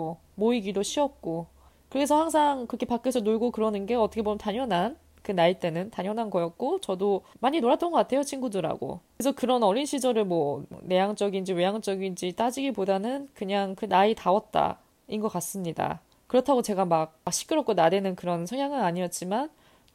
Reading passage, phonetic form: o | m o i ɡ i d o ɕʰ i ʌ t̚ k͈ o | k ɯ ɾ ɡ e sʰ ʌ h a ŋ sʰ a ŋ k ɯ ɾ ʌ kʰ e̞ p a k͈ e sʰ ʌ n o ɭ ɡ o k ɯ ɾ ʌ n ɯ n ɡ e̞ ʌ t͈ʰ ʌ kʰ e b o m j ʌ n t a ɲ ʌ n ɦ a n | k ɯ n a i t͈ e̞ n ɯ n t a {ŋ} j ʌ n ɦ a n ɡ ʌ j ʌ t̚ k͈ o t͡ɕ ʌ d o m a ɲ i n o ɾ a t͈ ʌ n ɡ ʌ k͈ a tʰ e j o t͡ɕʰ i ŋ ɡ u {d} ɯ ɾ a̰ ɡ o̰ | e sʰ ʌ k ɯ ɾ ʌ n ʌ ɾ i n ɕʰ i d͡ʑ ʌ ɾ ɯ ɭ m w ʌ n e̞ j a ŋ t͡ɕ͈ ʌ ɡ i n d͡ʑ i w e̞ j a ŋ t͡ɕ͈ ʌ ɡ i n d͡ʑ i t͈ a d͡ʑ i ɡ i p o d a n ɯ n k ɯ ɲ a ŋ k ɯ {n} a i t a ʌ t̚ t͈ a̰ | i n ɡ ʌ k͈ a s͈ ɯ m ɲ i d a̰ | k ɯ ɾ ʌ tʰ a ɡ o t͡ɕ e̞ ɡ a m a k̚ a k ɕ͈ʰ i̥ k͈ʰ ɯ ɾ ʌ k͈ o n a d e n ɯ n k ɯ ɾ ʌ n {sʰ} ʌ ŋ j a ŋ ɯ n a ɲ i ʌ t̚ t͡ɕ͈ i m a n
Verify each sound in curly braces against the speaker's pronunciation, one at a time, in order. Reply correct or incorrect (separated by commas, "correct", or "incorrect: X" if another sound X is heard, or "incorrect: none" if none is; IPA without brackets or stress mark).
incorrect: ɲ, correct, correct, correct